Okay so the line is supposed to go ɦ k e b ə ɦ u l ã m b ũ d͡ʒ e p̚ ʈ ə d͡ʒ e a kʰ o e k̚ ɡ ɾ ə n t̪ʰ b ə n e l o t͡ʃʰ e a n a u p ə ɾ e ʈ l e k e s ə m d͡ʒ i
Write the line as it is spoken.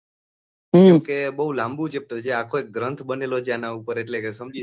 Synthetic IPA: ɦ k e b ə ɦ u l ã m b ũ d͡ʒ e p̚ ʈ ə d͡ʒ e a kʰ o e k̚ ɡ ɾ ə n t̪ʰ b ə n e l o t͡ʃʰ e a n a u p ə ɾ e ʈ l e k e s ə m d͡ʒ i